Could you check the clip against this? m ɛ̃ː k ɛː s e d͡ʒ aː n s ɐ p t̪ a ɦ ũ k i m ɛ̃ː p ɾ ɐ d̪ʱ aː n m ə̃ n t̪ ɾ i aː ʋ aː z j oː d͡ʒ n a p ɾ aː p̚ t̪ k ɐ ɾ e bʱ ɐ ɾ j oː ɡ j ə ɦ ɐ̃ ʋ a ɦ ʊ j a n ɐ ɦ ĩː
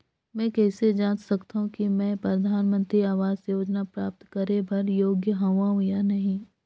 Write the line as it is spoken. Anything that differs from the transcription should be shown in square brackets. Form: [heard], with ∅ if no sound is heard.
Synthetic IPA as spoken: m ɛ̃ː k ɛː s e d͡ʒ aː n s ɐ [k] t̪ a ɦ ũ k i m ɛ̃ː p ɾ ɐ d̪ʱ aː n m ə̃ n t̪ ɾ i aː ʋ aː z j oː d͡ʒ n a p ɾ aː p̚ t̪ k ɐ ɾ e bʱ ɐ ɾ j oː ɡ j ə ɦ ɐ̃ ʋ a ɦ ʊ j a n ɐ ɦ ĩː

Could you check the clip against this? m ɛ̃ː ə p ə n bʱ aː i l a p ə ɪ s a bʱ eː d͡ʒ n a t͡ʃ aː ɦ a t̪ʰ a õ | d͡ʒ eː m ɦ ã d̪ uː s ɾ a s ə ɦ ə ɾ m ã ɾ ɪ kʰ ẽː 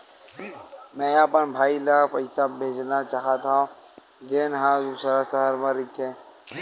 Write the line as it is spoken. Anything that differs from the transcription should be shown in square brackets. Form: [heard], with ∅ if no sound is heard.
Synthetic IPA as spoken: m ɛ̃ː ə p ə n bʱ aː i l a p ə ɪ s a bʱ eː d͡ʒ n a t͡ʃ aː ɦ a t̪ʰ a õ | d͡ʒ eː [n] ɦ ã d̪ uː s ɾ a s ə ɦ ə ɾ m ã ɾ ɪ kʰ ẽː

